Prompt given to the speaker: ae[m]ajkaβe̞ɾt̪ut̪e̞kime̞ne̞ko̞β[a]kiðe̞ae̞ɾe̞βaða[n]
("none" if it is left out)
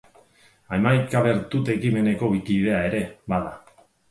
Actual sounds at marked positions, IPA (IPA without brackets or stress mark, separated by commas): m, i, none